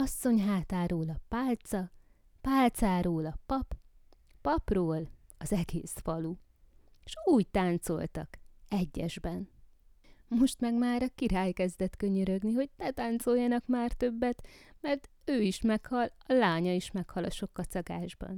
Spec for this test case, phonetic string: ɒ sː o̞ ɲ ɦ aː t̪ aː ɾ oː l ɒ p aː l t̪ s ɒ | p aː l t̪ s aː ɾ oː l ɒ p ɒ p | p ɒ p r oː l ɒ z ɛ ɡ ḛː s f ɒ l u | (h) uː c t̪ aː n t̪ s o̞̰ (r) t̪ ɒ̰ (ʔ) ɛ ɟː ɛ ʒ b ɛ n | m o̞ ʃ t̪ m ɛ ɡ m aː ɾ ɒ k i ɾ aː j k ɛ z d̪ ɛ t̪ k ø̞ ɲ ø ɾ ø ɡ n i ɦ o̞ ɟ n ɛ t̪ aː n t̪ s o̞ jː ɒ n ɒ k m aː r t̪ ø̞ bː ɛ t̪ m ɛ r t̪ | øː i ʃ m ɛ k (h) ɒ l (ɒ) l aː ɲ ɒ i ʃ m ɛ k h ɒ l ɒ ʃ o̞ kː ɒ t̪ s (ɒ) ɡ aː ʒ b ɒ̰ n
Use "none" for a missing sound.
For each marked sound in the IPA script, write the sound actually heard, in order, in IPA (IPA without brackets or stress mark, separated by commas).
ʃ, l, k, h, ɒ, ɒ